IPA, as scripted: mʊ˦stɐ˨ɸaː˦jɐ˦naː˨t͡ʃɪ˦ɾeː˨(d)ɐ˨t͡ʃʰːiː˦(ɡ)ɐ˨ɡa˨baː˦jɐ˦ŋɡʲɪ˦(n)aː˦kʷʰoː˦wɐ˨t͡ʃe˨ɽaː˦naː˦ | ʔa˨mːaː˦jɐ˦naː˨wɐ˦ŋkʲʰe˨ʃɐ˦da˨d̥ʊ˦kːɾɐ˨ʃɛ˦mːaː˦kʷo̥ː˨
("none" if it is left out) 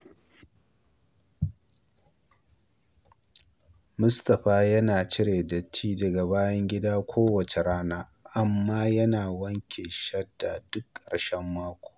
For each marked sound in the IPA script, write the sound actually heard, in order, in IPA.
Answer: d, d, d

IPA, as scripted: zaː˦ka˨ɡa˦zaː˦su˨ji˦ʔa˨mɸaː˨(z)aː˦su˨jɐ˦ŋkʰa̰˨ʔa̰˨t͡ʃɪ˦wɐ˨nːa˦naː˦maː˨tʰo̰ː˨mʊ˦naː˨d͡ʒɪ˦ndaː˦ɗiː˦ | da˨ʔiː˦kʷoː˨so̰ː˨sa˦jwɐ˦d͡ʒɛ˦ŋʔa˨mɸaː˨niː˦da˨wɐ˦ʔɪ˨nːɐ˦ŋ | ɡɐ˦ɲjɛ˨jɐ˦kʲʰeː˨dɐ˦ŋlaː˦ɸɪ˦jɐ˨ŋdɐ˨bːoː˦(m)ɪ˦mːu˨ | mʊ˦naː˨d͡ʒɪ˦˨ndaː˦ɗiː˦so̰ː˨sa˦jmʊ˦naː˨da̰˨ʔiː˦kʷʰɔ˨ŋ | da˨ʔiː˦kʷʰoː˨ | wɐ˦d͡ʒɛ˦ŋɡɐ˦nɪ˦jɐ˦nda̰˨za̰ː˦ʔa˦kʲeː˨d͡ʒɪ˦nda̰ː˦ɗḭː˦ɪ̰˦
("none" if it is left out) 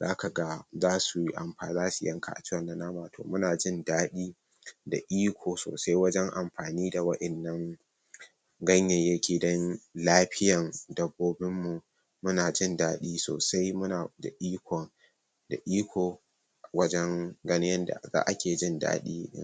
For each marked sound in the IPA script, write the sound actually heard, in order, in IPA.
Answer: z, b

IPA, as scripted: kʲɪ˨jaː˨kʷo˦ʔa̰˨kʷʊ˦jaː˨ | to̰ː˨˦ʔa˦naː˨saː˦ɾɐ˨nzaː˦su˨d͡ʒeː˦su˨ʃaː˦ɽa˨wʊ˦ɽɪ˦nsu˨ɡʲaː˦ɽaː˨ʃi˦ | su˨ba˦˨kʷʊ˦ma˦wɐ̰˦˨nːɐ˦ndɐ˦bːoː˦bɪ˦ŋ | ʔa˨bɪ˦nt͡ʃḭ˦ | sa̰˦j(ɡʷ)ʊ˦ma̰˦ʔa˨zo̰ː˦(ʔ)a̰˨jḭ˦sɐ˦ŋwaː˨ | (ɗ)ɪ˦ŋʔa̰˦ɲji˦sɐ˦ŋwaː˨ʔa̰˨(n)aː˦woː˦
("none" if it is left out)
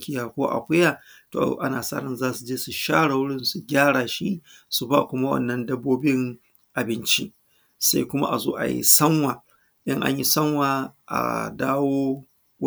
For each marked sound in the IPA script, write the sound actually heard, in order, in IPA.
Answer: kʷ, ʔ, ɗ, d

